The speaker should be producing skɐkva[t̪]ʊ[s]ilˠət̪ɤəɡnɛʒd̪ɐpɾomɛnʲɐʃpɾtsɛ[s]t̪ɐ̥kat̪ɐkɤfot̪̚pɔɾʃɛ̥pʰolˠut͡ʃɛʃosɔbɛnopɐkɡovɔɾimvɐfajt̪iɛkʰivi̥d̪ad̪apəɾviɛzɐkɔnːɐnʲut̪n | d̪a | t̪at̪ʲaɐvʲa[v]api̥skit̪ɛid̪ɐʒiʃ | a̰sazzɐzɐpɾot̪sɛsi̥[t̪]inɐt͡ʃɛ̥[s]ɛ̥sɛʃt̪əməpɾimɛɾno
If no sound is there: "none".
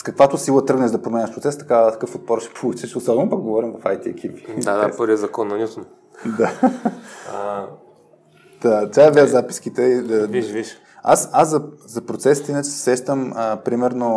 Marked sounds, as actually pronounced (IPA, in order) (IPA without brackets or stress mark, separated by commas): t̪, s, s, z, t̪, s